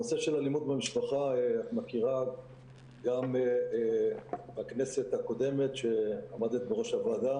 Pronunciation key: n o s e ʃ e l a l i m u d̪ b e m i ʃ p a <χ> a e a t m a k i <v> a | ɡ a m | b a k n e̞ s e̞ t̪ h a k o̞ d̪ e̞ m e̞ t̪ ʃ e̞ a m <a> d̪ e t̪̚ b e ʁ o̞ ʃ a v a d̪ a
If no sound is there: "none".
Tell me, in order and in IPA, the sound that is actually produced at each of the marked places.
χ, ʁ, a

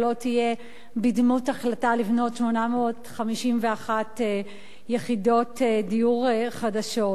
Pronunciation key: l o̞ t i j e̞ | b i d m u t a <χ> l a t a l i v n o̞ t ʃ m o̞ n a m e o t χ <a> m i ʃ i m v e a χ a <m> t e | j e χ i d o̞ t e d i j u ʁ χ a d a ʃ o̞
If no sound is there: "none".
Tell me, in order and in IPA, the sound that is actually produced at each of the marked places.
χ, a, none

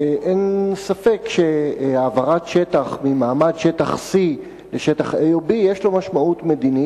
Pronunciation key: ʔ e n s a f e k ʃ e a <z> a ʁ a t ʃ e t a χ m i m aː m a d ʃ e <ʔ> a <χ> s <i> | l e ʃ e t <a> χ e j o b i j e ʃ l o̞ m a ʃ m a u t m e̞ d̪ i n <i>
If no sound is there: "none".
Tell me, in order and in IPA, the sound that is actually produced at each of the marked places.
v, t, χ, i, a, i

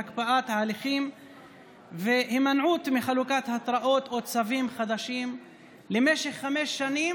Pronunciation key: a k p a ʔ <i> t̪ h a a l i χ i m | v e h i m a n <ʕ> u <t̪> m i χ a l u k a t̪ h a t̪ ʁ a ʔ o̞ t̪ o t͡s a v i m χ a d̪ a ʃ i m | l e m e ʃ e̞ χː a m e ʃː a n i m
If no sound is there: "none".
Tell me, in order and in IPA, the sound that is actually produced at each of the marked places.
a, ʕ, t̪

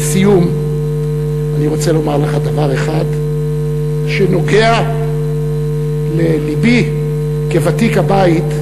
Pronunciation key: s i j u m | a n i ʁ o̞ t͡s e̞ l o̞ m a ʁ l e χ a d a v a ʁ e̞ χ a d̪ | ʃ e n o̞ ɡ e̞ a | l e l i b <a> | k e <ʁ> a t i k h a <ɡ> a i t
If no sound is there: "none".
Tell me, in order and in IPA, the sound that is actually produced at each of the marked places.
i, v, b

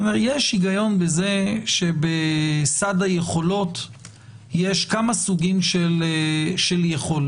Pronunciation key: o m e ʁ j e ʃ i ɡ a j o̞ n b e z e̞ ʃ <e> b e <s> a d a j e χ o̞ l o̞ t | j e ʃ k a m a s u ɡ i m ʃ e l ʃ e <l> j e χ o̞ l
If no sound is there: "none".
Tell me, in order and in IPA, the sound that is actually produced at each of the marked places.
e, s, l

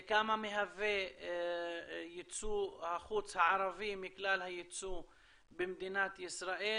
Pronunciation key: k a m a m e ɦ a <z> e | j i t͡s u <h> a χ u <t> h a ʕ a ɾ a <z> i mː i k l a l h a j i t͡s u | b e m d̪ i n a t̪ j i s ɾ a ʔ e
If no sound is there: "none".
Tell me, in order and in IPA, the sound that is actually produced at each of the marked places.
v, h, t͡s, v

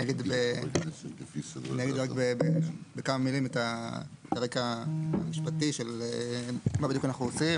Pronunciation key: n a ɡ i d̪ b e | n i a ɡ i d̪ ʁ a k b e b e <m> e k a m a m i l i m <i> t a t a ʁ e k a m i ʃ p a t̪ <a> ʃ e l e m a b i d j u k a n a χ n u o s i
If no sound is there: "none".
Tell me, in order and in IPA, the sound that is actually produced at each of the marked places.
b, e, i

